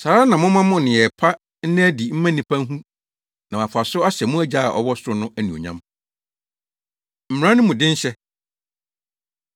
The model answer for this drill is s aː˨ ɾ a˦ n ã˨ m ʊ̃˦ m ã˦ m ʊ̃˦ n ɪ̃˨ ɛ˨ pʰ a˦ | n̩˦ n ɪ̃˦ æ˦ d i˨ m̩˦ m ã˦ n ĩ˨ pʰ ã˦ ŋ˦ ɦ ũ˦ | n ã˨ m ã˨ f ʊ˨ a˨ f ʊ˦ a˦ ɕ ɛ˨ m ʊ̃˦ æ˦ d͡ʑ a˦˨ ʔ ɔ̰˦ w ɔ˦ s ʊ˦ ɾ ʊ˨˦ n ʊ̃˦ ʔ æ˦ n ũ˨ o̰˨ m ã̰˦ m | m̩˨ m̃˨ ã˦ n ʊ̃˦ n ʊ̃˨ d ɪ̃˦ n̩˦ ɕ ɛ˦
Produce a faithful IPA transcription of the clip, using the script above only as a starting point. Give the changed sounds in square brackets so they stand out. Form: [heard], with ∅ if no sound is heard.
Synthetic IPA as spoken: s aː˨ ɾ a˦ n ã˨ m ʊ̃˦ m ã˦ m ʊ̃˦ n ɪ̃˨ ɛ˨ pʰ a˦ | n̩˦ n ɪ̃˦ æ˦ d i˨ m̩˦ m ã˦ n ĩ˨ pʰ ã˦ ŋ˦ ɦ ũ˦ | n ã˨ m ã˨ f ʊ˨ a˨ [s] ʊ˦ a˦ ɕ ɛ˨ m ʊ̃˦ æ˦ d͡ʑ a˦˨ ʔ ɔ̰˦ w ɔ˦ s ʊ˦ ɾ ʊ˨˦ n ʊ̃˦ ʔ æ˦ n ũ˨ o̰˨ [ɲ] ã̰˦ m | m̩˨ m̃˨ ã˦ n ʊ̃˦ [m] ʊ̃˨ d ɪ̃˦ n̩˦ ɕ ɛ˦